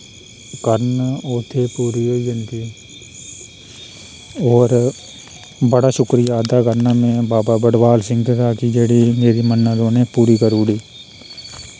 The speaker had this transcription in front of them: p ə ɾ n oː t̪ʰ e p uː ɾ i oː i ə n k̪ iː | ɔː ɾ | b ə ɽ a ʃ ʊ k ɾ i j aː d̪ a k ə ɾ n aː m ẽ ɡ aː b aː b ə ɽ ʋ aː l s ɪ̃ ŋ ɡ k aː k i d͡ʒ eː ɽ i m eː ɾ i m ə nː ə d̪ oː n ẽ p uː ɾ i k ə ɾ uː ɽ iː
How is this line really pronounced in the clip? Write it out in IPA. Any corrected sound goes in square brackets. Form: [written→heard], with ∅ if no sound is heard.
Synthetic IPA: [p→k] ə ɾ n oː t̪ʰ e p uː ɾ i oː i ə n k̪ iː | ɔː ɾ | b ə ɽ a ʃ ʊ k ɾ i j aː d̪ a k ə ɾ n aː m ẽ [ɡ→b] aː b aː b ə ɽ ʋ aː l s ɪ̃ ŋ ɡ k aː k i d͡ʒ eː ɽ i m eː ɾ i m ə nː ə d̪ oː n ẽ p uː ɾ i k ə ɾ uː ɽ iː